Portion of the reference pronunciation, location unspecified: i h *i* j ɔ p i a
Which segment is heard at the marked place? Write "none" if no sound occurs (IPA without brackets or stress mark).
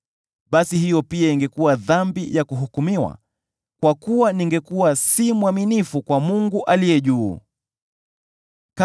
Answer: i